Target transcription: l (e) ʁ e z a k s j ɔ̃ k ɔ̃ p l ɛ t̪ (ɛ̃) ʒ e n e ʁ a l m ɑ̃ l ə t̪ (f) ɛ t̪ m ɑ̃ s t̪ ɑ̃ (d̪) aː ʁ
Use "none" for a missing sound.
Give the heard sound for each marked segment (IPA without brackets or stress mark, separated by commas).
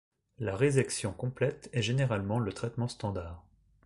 a, ɛ, χ, d̪